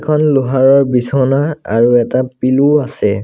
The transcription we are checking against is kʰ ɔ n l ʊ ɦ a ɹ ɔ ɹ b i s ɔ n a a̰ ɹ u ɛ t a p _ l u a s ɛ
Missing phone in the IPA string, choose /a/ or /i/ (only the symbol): i